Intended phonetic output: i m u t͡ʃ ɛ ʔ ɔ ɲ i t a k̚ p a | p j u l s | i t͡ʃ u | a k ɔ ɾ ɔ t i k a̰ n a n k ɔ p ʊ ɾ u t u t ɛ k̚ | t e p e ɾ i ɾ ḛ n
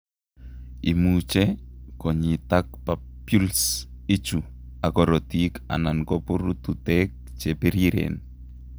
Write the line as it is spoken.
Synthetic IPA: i m u t͡ʃ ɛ k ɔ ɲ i t a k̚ p a | p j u l s | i t͡ʃ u | a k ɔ ɾ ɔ t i k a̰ n a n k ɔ p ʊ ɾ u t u t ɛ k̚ | t͡ʃ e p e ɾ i ɾ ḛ n